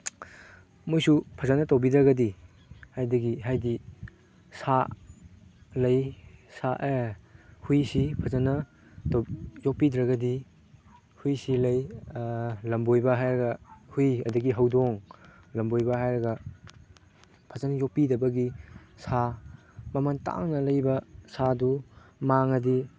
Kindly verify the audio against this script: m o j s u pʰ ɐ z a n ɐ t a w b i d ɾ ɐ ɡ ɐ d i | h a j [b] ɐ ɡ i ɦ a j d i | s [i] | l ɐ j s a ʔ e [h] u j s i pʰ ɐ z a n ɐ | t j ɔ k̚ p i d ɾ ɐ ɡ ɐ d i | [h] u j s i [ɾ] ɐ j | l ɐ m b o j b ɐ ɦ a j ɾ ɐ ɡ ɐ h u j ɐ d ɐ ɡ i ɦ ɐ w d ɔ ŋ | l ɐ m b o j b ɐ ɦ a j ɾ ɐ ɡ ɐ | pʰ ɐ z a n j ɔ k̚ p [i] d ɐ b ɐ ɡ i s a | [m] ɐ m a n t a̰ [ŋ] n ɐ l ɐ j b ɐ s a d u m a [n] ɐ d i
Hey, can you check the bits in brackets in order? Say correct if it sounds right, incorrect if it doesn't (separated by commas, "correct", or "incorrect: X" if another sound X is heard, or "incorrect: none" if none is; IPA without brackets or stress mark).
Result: incorrect: d, incorrect: a, correct, correct, incorrect: l, correct, correct, correct, incorrect: ŋ